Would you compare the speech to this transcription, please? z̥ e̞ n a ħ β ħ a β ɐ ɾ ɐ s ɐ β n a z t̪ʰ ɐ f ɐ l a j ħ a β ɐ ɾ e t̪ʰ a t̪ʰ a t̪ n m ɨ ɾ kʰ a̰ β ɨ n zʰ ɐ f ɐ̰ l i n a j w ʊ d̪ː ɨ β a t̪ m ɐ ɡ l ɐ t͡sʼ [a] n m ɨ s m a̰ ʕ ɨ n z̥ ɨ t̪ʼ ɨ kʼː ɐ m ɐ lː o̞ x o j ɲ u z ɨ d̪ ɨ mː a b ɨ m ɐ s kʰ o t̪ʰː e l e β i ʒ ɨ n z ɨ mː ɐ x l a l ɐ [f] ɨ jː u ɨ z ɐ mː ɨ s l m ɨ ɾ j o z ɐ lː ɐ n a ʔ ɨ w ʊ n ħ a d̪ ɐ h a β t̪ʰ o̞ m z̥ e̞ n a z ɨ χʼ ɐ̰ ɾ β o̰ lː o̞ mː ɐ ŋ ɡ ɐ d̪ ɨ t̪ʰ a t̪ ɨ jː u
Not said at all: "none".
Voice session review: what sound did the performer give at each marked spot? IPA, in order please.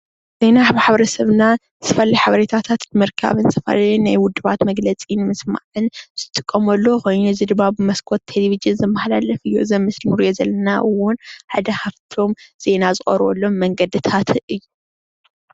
i, f

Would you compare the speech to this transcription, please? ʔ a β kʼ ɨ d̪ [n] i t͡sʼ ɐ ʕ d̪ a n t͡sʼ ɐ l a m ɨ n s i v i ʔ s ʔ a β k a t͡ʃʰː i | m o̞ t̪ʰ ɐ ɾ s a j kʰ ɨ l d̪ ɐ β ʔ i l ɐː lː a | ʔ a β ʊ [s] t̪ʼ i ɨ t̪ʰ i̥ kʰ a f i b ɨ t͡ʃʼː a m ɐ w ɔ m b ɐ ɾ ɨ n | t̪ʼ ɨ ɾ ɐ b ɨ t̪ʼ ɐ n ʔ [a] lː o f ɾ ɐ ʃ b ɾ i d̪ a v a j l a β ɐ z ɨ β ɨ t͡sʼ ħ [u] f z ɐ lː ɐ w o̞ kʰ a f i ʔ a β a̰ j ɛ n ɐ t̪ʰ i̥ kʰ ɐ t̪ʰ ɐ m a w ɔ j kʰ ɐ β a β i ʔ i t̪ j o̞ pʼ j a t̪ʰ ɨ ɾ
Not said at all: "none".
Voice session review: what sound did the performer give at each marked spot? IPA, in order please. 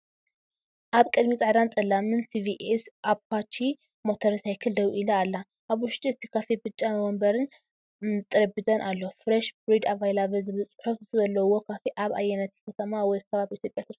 m, ʃ, a, o

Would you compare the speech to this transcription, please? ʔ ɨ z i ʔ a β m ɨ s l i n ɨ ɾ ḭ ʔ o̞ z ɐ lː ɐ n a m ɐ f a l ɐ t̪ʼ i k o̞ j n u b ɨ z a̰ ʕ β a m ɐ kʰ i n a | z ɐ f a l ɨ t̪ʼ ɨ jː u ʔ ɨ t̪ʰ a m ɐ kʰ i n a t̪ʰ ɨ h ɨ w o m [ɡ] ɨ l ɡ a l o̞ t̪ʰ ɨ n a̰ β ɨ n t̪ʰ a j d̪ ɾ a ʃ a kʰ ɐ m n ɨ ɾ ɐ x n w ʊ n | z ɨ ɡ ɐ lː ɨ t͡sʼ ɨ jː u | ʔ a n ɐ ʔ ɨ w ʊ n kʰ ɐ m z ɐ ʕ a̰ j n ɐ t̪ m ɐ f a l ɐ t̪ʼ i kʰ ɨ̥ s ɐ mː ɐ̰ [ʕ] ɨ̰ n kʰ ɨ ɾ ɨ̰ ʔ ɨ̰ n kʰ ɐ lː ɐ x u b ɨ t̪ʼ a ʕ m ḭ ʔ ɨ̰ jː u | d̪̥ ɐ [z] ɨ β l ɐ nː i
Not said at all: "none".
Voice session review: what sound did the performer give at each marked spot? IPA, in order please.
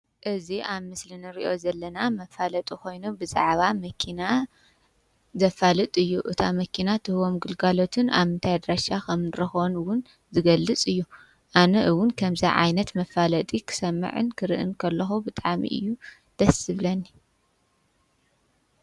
ɡ, ʕ, s

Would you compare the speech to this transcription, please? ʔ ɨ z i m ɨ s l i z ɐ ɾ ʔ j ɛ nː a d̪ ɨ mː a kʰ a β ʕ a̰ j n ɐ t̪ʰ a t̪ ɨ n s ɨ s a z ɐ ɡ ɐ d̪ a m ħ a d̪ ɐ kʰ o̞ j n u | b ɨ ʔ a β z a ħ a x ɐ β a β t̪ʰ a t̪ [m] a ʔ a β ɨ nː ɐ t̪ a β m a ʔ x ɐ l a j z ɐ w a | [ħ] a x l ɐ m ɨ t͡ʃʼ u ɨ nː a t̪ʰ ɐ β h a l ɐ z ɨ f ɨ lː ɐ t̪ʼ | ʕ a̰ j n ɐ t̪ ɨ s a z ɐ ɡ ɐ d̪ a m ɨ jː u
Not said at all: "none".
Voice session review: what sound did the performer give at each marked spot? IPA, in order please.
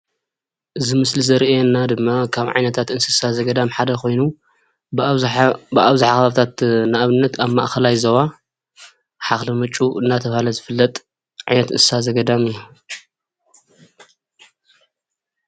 n, ħ

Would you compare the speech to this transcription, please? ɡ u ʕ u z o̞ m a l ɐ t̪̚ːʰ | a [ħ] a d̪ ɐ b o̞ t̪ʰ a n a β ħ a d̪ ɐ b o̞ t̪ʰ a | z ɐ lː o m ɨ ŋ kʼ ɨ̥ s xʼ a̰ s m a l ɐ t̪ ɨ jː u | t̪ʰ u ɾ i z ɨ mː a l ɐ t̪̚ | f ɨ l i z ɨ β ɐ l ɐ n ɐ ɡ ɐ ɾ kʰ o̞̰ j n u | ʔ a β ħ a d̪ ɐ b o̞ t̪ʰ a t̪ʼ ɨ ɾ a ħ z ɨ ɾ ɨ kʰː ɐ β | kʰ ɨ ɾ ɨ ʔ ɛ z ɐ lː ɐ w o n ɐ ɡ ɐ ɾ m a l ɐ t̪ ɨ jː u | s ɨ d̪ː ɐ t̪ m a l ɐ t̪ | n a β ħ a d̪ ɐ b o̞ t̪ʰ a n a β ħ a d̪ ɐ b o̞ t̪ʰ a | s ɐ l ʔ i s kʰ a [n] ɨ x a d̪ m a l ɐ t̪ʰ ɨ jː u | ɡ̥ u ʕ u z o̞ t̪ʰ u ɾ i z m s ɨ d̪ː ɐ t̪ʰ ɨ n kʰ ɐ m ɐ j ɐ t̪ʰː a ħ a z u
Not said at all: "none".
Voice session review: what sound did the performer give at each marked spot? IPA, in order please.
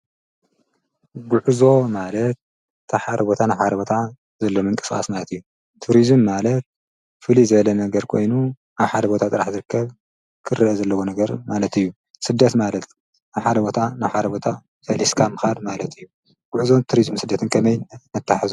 ħ, m

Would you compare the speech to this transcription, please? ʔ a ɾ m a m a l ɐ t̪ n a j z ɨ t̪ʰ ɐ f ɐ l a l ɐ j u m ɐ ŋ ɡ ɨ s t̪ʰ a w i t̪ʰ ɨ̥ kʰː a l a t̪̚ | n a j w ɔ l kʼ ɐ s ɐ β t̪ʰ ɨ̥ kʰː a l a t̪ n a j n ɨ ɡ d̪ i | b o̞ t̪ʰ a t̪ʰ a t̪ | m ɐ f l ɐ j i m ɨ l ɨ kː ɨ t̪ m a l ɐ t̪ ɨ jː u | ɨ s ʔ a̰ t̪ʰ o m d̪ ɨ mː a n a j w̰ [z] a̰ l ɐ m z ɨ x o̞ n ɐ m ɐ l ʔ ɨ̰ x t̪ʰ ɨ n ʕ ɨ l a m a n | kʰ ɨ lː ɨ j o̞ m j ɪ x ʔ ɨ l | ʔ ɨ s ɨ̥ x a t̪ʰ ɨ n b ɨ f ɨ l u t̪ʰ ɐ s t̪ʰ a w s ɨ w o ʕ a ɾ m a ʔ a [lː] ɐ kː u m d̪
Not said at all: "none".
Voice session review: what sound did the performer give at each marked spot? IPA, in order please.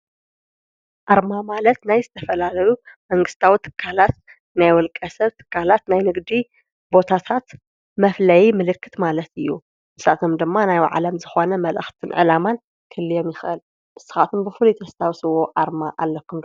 ʕ, lː

